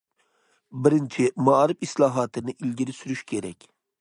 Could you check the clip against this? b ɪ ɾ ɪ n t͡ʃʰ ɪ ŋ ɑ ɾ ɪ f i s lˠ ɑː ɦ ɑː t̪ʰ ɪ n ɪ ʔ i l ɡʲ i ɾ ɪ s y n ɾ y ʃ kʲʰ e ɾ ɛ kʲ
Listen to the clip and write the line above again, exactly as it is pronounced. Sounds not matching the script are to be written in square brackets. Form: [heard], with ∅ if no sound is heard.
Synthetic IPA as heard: b ɪ ɾ ɪ n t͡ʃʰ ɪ [m] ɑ ɾ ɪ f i s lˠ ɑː ɦ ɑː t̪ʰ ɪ n ɪ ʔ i l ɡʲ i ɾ ɪ s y [∅] ɾ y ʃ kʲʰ e ɾ ɛ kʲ

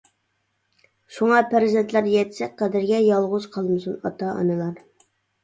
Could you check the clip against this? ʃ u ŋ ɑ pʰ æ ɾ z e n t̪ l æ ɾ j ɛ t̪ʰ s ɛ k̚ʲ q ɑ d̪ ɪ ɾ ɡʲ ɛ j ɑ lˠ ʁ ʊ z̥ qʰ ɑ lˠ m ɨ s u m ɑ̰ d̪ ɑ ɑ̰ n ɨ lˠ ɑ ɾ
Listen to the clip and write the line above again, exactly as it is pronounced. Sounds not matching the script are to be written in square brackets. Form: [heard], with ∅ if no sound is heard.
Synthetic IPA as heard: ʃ u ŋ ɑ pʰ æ ɾ z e n t̪ l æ ɾ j ɛ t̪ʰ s ɛ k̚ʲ q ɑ d̪ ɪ ɾ ɡʲ ɛ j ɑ lˠ ʁ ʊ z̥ qʰ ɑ lˠ m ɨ s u [n] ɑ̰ [t̪] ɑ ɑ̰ n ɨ lˠ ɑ ɾ

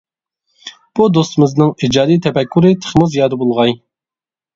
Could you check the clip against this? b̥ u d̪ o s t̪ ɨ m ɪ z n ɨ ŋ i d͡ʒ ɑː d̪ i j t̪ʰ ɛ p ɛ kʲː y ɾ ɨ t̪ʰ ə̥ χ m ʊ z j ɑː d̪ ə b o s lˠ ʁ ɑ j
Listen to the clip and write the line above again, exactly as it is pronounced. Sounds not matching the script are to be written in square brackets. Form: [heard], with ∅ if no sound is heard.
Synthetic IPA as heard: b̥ u d̪ o s t̪ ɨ m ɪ z n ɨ ŋ i d͡ʒ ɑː d̪ i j t̪ʰ ɛ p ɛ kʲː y ɾ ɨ t̪ʰ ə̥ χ m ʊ z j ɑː d̪ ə b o [∅] lˠ ʁ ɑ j

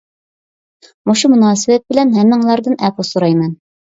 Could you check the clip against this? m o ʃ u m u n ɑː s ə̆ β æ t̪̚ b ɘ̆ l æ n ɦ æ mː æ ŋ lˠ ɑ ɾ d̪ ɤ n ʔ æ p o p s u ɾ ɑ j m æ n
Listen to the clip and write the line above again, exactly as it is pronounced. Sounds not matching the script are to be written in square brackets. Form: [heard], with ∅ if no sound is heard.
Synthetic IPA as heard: m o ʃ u m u n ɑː s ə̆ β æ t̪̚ b ɘ̆ l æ n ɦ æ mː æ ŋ lˠ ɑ ɾ d̪ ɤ n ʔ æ p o [∅] s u ɾ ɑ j m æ n

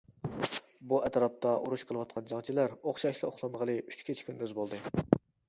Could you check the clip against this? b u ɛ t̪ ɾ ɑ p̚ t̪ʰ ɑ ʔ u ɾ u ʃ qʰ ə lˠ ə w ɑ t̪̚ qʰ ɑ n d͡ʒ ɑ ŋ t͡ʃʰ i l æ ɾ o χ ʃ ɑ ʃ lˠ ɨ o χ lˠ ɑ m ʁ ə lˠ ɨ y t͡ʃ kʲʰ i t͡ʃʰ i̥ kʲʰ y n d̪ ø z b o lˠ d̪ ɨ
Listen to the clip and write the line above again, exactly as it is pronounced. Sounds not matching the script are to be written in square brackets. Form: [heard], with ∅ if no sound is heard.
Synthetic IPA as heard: b u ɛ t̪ ɾ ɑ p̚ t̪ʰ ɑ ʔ u ɾ u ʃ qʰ ə lˠ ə w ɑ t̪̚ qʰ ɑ n d͡ʒ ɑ ŋ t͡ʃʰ i l æ ɾ o χ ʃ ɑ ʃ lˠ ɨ o χ lˠ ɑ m ʁ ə lˠ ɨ y t͡ʃ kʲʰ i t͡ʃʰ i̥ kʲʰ y n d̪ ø z b o lˠ d̪ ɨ

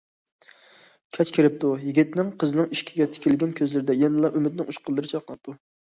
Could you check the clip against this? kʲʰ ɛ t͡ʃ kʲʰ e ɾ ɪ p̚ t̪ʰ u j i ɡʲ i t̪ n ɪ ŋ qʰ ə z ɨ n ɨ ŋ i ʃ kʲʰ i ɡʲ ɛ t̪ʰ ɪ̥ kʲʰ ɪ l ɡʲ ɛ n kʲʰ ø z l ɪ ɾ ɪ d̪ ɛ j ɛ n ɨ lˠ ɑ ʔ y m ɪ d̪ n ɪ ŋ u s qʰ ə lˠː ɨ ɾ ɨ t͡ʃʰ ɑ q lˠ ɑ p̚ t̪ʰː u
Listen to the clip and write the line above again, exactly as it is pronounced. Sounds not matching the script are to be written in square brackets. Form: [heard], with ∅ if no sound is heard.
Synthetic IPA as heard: kʲʰ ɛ t͡ʃ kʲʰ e ɾ ɪ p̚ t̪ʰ u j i ɡʲ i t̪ n ɪ ŋ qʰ ə z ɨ n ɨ ŋ i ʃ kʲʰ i ɡʲ ɛ t̪ʰ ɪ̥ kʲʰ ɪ l ɡʲ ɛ n kʲʰ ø z l ɪ ɾ ɪ d̪ ɛ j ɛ n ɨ lˠ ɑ ʔ y m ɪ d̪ n ɪ ŋ u [ʃ] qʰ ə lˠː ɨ ɾ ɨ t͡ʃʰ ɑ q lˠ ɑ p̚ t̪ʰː u

